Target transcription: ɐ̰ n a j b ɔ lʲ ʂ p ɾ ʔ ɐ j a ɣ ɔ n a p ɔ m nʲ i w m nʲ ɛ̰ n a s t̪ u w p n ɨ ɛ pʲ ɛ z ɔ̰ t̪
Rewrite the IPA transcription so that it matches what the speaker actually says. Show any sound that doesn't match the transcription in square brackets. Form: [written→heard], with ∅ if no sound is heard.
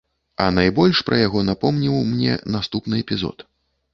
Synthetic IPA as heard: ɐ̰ n a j b ɔ lʲ ʂ p ɾ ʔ ɐ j a ɣ ɔ n a p ɔ m nʲ i w m nʲ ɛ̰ n a s t̪ u [w→∅] p n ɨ ɛ pʲ [ɛ→i] z ɔ̰ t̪